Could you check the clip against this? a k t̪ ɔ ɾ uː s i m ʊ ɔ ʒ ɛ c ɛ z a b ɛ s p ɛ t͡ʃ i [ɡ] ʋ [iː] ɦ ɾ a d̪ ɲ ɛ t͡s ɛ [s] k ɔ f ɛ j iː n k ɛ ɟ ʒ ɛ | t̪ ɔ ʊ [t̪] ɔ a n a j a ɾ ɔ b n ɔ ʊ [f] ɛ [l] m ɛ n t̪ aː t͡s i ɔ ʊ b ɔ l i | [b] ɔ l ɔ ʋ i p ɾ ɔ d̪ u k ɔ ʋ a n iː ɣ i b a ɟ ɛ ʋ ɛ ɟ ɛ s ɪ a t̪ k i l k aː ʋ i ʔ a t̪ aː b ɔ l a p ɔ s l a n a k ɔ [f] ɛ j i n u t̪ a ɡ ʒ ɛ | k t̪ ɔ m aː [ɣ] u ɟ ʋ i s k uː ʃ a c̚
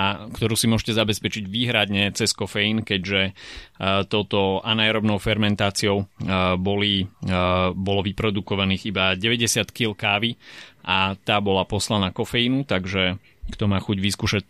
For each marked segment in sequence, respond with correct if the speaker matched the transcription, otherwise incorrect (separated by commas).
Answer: incorrect, correct, correct, correct, correct, incorrect, correct, correct, incorrect